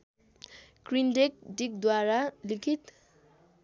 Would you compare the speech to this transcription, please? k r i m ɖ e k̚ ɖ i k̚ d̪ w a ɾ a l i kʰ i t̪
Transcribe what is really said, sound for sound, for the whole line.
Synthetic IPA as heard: k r i n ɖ e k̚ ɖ i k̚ d̪ w a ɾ a l i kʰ i t̪